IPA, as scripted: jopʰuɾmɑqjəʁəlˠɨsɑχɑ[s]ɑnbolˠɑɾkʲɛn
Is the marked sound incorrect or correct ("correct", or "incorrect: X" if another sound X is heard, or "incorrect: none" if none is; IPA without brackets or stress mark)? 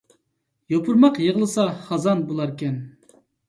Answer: incorrect: z